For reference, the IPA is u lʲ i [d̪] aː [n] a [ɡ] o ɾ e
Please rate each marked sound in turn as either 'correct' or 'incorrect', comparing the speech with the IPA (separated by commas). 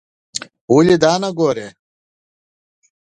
correct, correct, correct